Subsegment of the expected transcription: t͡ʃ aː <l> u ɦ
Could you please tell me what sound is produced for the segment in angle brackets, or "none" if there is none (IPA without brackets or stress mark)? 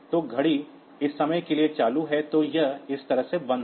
l